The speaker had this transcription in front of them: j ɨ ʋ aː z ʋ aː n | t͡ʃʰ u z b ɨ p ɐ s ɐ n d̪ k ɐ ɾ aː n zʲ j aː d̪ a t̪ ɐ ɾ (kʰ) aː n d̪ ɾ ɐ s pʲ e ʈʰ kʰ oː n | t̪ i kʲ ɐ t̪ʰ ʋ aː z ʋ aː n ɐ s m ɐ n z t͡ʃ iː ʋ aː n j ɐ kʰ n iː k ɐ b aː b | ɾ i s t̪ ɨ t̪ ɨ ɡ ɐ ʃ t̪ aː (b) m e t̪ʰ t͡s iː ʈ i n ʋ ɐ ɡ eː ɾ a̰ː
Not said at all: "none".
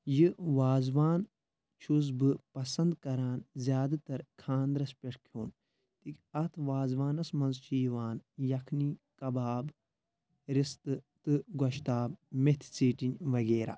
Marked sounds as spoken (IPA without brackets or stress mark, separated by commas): kʰ, b